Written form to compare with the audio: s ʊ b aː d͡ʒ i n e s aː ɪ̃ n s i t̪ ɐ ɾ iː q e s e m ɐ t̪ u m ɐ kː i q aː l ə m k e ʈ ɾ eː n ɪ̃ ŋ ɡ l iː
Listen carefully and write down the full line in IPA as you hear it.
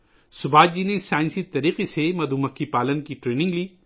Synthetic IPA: s ʊ b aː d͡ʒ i n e s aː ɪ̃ n s i t̪ ɐ ɾ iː q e s e m ɐ d̪ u m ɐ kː i p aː l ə n k i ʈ ɾ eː n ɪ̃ ŋ ɡ l iː

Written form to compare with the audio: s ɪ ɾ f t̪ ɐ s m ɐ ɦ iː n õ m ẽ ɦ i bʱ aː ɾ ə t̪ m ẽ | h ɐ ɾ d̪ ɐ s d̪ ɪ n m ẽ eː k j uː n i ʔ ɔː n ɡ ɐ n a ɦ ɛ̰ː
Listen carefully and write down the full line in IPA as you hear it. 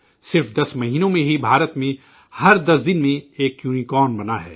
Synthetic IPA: s ɪ ɾ f d̪ ɐ s m ɐ ɦ iː n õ m ẽ ɦ i bʱ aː ɾ ə t̪ m ẽ | h ɐ ɾ d̪ ɐ s d̪ ɪ n m ẽ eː k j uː n i k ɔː n b ɐ n a ɦ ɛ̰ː

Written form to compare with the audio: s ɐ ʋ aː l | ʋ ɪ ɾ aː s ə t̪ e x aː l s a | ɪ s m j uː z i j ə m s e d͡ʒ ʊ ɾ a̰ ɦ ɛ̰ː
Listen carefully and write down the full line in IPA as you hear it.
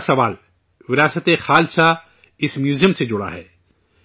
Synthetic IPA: s ɐ ʋ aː l | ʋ ɪ ɾ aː s ə t̪ e x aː l s a | ɪ s m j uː z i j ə m s e d͡ʒ ʊ ɽ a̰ ɦ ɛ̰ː

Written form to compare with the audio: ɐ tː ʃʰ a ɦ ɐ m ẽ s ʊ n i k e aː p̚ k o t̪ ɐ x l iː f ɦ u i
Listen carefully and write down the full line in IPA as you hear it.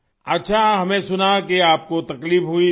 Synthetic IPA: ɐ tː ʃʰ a ɦ ɐ m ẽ s ʊ n a k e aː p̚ k o t̪ ɐ k l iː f ɦ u i

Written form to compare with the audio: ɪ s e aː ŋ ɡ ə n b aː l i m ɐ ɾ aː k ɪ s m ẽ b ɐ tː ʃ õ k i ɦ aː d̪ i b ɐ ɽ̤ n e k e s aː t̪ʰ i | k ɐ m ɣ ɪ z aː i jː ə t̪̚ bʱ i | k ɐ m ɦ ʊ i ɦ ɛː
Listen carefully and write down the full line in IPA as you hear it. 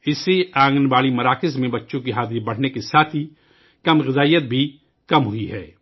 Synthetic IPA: ɪ s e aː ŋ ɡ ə n b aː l i m ɐ ɾ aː k ɪ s m ẽ b ɐ tː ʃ õ k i ɦ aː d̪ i b ɐ ɽ̤ n e k e s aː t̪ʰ i | k ɐ m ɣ ɪ z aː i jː ə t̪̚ bʱ i | k ɐ m ɦ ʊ i ɦ ɛː

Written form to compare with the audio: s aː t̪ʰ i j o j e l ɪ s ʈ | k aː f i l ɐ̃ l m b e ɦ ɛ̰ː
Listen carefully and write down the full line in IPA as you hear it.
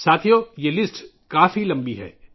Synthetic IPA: s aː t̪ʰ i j o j e l ɪ s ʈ | k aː f i l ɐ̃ m b i ɦ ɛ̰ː

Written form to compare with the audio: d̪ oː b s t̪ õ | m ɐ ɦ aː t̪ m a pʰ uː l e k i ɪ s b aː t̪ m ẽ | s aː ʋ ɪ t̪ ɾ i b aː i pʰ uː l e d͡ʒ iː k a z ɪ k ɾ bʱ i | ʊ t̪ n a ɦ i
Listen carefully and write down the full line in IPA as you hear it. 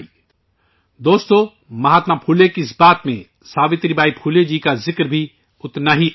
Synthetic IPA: d̪ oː s t̪ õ | m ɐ ɦ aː t̪ m a pʰ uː l e k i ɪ s b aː t̪ m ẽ | s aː ʋ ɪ t̪ ɾ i b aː i pʰ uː l e d͡ʒ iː k a z ɪ k ɾ bʱ i | ʊ t̪ n a ɦ i

